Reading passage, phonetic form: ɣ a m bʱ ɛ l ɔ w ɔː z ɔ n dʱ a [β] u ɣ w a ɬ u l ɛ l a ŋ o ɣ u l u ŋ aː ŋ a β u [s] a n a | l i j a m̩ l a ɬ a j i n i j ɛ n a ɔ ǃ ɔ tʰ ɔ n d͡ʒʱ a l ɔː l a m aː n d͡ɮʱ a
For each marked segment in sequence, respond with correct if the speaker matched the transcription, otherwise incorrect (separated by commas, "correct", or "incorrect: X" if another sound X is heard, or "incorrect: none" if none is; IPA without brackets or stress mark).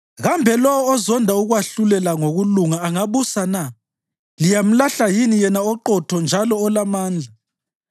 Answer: incorrect: none, correct